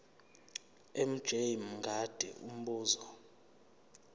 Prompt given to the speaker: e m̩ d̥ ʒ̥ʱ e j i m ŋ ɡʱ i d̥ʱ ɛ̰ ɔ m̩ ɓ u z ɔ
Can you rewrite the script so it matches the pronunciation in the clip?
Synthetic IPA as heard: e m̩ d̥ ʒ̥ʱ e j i m ŋ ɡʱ a d̥ʱ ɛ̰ u m̩ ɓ uː z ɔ